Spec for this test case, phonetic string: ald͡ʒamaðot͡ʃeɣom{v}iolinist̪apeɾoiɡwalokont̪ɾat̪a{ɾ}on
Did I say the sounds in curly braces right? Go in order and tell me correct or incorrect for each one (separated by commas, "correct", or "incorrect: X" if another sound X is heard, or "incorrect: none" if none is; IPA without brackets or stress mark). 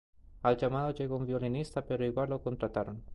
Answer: correct, correct